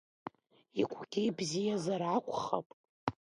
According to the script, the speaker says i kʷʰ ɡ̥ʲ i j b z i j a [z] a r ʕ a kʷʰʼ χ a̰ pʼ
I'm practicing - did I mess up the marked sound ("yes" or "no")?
no